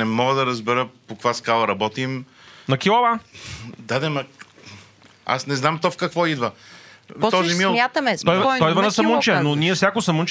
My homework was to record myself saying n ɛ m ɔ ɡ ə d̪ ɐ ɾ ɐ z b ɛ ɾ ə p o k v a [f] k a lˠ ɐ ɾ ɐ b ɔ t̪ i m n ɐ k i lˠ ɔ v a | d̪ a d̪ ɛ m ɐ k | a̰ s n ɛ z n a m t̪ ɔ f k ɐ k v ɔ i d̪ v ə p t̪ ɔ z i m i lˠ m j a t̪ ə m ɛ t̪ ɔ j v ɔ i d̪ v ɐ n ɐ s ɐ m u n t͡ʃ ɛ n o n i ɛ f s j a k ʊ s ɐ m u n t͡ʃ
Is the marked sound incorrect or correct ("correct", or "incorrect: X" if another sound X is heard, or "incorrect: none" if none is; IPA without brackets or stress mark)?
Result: incorrect: s